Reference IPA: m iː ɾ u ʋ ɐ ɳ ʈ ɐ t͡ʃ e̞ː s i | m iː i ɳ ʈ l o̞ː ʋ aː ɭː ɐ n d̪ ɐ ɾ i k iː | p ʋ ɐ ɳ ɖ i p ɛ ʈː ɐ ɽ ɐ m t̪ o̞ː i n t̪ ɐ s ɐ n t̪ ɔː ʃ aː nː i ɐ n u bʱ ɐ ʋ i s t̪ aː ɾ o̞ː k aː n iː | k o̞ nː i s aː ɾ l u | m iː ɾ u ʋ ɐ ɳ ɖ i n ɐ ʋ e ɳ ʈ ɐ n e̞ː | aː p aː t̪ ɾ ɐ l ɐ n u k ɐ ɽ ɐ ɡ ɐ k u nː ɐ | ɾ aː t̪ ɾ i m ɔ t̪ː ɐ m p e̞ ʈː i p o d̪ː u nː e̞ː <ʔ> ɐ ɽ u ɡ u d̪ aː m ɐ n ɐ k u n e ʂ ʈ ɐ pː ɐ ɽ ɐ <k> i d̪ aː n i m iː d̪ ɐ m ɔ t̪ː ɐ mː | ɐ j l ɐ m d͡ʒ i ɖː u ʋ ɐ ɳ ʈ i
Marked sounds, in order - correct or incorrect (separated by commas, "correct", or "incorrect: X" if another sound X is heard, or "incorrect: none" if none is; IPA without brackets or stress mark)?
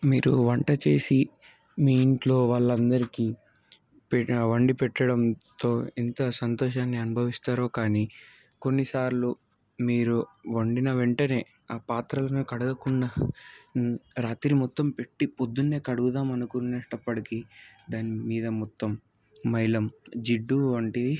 incorrect: k, correct